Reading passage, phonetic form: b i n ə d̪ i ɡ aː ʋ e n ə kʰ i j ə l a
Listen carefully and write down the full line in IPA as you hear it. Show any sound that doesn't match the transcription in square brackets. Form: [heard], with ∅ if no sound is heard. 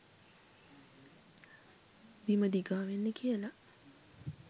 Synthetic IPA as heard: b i [m] ə d̪ i ɡ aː ʋ e [nː] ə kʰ i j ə l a